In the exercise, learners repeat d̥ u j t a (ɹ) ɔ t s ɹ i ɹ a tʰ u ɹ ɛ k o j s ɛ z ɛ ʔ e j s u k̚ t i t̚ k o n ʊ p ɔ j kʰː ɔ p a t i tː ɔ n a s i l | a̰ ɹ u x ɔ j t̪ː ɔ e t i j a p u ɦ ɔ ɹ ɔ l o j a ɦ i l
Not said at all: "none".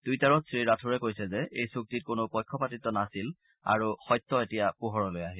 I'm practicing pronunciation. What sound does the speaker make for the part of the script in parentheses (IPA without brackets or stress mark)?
ɹ